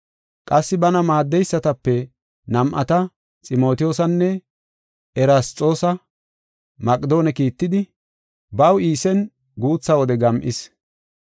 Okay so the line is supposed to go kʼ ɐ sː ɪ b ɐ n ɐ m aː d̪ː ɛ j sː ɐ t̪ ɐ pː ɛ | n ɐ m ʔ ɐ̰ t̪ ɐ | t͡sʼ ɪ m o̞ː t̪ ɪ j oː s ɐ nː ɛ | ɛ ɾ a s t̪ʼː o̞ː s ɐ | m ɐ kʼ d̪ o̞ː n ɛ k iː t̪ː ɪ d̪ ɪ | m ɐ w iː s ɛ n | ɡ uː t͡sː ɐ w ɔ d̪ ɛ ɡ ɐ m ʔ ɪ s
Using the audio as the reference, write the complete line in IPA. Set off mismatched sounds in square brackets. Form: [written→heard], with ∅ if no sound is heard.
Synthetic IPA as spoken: kʼ ɐ sː ɪ b ɐ n ɐ m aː d̪ː ɛ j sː ɐ t̪ ɐ pː ɛ | n ɐ m ʔ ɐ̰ t̪ ɐ | t͡sʼ ɪ m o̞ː t̪ ɪ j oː s ɐ nː ɛ | ɛ ɾ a s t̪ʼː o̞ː s ɐ | m ɐ kʼ d̪ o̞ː n ɛ k iː t̪ː ɪ d̪ ɪ | [m→b] ɐ w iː s ɛ n | ɡ uː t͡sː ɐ w ɔ d̪ ɛ ɡ ɐ m ʔ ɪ s